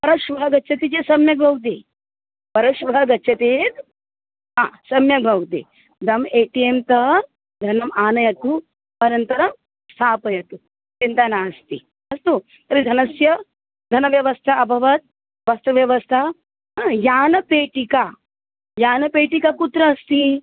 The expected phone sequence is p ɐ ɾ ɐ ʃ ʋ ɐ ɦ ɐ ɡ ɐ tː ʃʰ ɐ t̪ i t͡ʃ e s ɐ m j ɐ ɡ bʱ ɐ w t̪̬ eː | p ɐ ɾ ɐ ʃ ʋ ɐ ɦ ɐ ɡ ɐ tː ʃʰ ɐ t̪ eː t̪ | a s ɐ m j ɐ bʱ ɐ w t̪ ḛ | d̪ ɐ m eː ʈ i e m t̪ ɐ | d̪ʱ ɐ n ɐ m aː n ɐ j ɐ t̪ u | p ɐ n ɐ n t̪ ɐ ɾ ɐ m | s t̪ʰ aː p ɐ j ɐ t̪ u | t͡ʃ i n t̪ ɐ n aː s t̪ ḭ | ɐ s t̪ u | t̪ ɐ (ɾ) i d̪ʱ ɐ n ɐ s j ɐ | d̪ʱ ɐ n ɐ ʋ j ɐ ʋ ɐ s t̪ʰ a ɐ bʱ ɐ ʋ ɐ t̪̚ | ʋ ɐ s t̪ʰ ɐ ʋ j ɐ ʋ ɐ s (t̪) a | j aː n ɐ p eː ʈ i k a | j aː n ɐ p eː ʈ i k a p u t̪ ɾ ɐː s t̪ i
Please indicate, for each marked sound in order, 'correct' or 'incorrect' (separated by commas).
correct, incorrect